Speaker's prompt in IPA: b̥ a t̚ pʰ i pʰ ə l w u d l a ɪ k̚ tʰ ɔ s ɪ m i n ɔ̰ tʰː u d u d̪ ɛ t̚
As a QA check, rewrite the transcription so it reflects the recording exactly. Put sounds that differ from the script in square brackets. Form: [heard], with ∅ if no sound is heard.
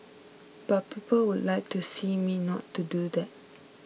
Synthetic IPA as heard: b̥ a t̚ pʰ i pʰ ə l w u d l a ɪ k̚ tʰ [u] s [i] m i n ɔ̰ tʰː u d u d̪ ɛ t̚